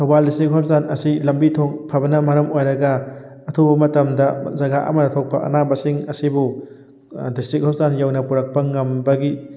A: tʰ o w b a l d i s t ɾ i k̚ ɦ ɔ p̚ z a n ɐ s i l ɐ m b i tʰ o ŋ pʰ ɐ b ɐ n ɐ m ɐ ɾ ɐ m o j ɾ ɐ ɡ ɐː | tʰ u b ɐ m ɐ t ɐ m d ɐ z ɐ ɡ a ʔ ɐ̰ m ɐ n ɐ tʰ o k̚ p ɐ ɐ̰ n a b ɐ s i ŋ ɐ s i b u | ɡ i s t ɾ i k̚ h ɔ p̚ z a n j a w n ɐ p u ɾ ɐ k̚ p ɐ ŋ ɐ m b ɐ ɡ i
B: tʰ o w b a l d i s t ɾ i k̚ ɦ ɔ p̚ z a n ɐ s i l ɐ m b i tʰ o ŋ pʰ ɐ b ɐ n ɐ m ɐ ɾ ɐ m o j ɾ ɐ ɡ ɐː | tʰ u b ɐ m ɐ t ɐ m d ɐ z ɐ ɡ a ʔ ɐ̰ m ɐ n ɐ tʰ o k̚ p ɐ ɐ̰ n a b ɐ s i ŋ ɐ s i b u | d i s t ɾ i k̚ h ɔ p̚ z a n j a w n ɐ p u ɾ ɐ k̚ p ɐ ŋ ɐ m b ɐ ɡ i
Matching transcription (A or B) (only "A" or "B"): B